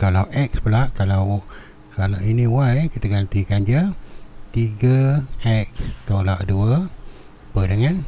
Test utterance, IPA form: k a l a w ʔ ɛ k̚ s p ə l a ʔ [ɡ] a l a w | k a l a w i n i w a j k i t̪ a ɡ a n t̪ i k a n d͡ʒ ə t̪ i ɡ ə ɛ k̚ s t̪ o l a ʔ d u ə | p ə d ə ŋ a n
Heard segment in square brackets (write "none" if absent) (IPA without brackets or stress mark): k